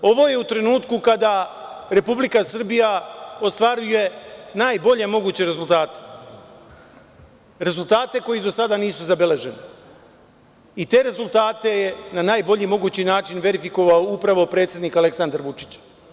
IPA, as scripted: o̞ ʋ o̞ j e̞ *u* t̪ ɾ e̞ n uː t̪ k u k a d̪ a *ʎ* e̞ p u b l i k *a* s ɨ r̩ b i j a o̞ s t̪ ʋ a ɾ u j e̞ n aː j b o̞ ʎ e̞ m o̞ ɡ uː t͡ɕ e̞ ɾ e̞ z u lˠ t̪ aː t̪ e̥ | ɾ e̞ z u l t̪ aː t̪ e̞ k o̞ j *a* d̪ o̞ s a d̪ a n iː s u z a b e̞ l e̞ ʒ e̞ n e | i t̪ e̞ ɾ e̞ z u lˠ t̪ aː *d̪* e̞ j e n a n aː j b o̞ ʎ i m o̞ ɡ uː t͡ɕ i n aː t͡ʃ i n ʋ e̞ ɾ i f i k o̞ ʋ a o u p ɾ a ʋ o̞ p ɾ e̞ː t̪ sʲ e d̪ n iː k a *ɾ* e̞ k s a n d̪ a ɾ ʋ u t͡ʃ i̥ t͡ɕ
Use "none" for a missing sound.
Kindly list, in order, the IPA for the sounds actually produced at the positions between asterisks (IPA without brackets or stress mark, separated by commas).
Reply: u, ɾ, a, i, t̪, l